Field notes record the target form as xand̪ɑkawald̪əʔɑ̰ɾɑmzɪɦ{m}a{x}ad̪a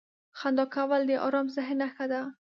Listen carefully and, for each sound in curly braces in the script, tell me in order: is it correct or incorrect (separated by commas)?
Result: incorrect, correct